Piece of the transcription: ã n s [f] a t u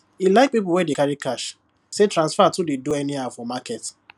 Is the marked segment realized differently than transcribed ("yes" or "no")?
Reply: no